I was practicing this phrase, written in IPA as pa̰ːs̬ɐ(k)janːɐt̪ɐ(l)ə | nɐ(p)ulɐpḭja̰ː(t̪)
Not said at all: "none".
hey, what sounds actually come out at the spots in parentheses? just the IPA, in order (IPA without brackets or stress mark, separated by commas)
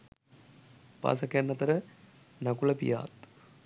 k, ɾ, k, t̪